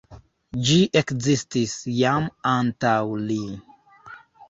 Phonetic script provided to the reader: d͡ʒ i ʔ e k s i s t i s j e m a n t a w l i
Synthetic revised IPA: d͡ʒ i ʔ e k z i s t i s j a m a n t a w l i